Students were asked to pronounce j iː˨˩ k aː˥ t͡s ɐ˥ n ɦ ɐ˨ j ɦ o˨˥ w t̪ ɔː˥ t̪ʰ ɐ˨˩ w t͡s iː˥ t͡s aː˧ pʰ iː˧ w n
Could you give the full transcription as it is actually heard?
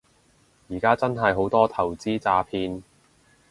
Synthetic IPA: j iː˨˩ k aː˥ t͡s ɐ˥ n ɦ ɐ˨ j ɦ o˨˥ w t̪ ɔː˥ t̪ʰ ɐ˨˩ w t͡s iː˥ t͡s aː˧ pʰ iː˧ n